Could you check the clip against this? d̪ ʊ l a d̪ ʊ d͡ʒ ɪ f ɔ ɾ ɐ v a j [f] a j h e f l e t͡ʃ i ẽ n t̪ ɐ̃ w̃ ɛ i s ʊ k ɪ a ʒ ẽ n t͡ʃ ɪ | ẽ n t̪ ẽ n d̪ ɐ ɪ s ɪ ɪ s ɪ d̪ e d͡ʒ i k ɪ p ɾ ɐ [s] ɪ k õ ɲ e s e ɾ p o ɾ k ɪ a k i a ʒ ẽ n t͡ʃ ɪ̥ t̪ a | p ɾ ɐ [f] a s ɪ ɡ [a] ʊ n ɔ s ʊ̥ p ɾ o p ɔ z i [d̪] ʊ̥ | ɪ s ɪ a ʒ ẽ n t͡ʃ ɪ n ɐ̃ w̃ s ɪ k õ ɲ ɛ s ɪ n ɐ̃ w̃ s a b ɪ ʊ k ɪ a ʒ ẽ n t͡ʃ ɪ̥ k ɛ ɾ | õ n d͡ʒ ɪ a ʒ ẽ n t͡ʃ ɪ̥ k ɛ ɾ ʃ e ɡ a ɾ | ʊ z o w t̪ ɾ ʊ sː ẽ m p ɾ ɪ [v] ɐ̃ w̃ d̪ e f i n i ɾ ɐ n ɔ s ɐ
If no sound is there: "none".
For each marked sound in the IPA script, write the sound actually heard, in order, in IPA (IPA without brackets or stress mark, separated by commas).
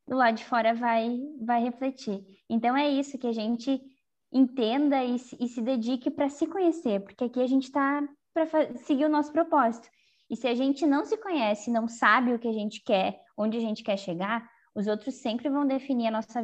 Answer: v, s, f, i, t̪, v